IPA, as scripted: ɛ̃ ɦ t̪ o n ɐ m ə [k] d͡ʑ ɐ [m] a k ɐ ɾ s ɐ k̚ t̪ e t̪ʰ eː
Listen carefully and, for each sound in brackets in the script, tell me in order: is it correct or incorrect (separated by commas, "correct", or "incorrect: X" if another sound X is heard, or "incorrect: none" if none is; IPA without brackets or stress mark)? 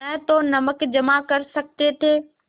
correct, correct